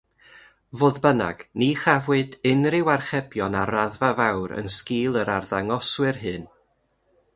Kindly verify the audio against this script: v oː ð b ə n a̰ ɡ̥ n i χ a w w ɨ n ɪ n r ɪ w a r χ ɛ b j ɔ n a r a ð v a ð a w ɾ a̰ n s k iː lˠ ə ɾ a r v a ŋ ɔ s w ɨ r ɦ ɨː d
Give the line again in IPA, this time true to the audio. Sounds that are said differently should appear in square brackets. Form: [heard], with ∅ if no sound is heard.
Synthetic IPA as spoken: v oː ð b ə n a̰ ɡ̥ n i χ a [v] w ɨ [d] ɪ n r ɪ w a r χ ɛ b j ɔ n a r a ð v a [v] a w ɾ [ə̰] n s k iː lˠ ə ɾ a r [ð] a ŋ ɔ s w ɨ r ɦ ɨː [n]